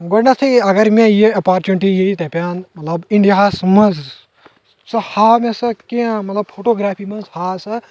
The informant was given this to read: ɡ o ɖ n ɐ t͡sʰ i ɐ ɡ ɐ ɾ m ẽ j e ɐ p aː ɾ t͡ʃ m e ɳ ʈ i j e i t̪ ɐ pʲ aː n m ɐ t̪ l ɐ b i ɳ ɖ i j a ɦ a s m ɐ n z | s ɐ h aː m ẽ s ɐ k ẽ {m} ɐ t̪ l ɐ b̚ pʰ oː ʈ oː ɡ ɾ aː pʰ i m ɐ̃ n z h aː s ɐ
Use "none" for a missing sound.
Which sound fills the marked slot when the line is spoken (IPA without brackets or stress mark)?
m